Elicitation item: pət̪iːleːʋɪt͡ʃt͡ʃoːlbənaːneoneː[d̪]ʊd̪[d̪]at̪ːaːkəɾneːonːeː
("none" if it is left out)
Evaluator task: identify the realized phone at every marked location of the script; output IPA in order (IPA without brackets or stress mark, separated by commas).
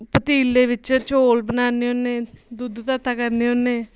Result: d̪, t̪